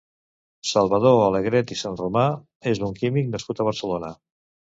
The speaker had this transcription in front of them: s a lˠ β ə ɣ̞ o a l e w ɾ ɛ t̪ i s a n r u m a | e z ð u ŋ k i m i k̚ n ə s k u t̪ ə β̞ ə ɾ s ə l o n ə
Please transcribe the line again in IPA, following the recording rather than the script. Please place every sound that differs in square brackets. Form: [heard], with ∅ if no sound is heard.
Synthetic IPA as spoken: s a lˠ β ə [ð̞] o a l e [ɣ] ɾ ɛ t̪ i s a n r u m a | e z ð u ŋ k i m i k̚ n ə s k u t̪ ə β̞ ə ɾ s ə l o n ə